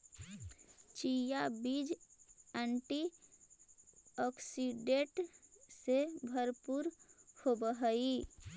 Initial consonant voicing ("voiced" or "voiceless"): voiceless